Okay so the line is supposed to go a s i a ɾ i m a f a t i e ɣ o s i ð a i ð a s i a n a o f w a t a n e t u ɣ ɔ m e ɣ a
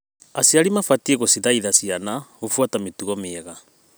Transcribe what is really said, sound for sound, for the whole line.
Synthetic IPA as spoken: a s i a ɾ i m a f a t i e ɣ o s i ð a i ð a s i a n a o f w a t a m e t u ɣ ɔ m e ɣ a